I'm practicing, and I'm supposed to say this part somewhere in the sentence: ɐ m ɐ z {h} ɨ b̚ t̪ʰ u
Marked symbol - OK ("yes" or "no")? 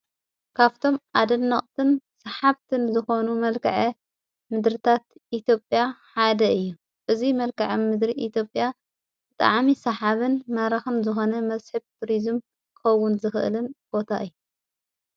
no